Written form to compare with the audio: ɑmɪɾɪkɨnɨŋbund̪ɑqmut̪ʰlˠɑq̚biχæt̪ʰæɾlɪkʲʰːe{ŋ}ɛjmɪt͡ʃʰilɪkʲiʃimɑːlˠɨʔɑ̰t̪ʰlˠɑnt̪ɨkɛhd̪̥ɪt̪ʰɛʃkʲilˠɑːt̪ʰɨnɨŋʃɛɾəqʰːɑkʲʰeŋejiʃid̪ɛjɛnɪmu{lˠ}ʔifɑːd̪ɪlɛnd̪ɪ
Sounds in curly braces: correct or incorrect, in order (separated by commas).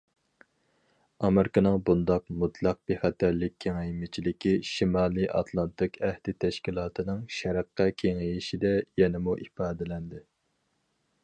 correct, incorrect